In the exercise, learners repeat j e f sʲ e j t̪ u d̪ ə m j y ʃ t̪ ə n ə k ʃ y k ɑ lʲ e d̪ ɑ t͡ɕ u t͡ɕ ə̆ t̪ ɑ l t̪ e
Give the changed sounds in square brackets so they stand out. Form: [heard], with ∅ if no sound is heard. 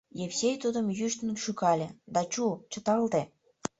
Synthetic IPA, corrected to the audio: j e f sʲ e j t̪ u d̪ ə m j y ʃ t̪ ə n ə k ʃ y k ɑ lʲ e d̪ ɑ t͡ɕ u t͡ɕ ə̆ t̪ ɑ l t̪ e

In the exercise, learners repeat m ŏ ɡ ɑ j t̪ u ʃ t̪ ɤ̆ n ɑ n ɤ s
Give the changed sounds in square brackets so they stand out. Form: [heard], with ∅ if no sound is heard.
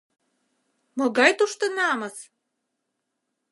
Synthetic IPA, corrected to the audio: m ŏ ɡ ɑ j t̪ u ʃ t̪ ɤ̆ n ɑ [m] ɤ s

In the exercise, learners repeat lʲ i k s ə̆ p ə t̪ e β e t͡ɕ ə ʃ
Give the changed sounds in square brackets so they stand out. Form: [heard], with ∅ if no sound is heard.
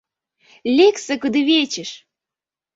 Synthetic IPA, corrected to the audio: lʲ [e] k s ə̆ [k] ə [d̪] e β e t͡ɕ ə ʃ

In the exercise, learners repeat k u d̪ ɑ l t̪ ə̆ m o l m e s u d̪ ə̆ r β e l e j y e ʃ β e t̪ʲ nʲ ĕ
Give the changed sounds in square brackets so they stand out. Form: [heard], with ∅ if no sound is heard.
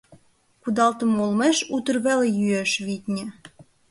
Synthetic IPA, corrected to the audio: k u d̪ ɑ l t̪ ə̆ m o l m e [ʃ] u [t̪] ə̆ r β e l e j y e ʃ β [i] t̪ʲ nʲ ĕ

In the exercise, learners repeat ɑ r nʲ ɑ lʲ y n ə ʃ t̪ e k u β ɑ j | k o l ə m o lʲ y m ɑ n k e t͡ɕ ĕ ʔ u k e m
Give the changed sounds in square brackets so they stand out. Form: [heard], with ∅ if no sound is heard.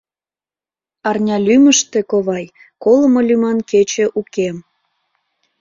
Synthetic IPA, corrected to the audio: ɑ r nʲ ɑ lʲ y [m] ə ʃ t̪ e k [o] β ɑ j | k o l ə m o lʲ y m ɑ n k e t͡ɕ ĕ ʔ u k e m

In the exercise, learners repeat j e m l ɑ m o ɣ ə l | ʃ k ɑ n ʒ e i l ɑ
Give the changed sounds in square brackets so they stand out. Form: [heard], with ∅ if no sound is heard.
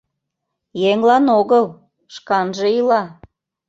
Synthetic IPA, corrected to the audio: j e [ŋ] l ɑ [n] o ɣ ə l | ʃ k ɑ n ʒ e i l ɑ

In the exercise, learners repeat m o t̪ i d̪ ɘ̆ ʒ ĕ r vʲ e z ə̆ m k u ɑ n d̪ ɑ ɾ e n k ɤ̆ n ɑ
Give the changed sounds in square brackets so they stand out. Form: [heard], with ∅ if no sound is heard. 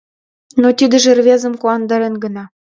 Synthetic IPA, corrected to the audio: [n] o t̪ i d̪ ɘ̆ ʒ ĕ r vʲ e z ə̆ m k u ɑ n d̪ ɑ ɾ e n [ɡ] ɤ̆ n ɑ

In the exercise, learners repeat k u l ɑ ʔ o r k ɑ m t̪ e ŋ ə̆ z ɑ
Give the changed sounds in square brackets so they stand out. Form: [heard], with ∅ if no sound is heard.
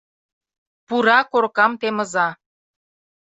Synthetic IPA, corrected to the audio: [p] u [ɾ] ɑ [k] o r k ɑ m t̪ e [m] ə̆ z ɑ

